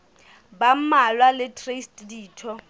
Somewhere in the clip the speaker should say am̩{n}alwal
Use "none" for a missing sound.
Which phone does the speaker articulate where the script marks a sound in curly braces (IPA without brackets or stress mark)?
m